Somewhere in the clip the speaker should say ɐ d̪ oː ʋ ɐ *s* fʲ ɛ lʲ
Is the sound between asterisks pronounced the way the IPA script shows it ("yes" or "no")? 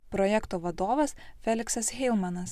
yes